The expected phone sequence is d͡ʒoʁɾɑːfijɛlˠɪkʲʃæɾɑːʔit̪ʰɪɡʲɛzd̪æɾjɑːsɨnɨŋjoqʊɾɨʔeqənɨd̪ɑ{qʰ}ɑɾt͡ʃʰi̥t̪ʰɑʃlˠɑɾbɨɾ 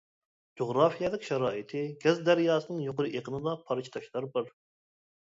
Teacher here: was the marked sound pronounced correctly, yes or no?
no